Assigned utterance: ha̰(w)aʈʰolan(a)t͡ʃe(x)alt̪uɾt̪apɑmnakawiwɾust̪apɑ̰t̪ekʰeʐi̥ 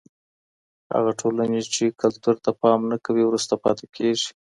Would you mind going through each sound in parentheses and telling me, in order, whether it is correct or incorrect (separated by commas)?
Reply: incorrect, incorrect, incorrect